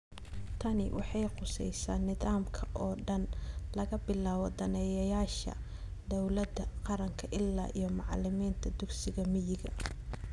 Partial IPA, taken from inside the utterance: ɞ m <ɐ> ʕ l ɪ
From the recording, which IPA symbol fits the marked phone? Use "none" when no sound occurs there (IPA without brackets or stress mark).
ɑ